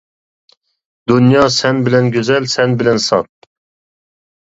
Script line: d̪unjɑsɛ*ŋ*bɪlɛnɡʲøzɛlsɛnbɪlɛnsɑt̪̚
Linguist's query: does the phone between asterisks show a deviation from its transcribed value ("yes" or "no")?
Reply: yes